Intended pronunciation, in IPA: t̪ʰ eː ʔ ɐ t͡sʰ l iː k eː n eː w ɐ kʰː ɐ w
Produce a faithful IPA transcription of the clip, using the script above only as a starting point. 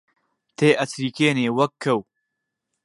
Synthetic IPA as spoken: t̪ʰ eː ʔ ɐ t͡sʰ ɾ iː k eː n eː w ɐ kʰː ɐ w